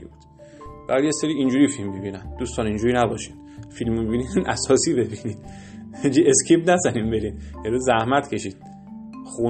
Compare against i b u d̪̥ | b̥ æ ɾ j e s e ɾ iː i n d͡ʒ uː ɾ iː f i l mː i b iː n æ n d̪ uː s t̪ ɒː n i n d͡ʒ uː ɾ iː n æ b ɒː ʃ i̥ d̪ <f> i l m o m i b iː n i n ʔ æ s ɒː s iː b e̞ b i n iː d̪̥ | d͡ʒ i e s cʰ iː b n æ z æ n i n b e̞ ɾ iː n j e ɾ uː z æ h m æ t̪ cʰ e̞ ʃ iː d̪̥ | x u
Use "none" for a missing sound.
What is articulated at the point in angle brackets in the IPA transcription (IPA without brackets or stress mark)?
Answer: f